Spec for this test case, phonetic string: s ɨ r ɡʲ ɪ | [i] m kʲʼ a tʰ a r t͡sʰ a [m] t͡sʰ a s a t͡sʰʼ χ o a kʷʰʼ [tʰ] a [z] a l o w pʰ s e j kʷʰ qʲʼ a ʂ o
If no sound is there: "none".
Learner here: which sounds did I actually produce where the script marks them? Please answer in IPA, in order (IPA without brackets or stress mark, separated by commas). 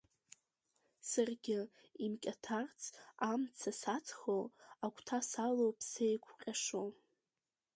i, m, tʰ, s